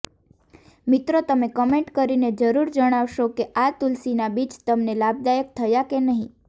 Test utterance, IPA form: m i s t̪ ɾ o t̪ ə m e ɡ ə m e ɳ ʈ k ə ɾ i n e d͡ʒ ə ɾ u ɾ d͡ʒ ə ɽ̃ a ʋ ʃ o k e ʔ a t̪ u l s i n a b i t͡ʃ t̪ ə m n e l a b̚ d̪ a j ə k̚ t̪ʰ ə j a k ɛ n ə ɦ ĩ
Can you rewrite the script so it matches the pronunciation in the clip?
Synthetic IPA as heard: m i t̪ ɾ o t̪ ə m e k ə m e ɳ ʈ k ə ɾ i n e d͡ʒ ə ɾ u ɾ d͡ʒ ə ɽ̃ a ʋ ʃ o k e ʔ a t̪ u l s i n a b i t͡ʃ t̪ ə m n e l a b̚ d̪ a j ə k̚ t̪ʰ ə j a k e n ə ɦ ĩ